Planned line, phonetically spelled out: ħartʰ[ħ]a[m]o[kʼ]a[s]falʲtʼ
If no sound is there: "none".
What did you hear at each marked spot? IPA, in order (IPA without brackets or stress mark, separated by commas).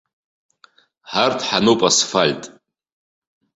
ħ, n, pʼ, s